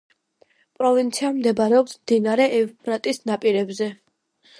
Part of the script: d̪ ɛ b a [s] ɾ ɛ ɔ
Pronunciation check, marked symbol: incorrect: none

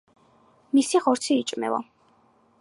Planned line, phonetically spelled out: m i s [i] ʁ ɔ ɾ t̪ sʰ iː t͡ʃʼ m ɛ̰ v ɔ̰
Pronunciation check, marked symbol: correct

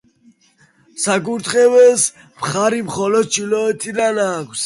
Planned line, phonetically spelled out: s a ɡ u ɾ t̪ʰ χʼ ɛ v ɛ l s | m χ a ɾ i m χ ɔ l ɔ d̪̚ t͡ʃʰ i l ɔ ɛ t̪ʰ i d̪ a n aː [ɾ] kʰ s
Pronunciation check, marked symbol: incorrect: none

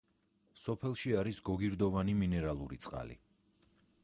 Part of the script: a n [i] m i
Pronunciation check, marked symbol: correct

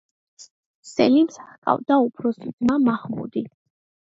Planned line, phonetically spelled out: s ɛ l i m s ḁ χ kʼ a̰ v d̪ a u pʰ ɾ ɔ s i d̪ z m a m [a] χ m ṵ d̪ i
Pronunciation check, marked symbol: correct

